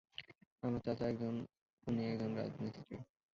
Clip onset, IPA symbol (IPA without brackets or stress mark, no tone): a